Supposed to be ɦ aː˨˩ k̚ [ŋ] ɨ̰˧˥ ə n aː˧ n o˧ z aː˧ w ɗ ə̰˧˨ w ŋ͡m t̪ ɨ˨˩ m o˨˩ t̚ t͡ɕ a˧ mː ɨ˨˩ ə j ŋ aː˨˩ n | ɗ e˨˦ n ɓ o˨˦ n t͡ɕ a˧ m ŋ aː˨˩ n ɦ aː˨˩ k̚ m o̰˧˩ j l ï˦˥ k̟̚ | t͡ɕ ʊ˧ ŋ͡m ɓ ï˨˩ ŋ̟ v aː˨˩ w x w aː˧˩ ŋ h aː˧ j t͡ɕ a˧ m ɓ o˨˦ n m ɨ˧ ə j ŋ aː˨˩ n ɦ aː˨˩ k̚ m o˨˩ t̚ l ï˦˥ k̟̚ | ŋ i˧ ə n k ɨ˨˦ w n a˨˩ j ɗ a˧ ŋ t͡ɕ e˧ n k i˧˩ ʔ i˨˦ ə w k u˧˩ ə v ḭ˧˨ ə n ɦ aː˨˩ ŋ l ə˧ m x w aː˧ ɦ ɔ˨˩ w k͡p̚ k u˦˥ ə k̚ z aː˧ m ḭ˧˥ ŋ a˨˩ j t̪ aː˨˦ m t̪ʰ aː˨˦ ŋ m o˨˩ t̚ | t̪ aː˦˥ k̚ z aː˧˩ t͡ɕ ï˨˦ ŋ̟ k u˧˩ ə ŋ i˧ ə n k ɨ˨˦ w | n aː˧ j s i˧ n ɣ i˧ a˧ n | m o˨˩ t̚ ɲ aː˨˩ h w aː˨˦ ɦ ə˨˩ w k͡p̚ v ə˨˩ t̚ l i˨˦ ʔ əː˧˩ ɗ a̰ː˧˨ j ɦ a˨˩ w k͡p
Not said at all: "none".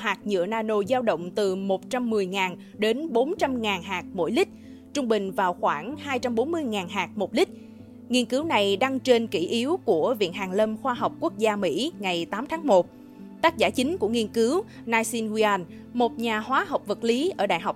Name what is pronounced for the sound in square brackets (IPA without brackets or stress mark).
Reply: ɲ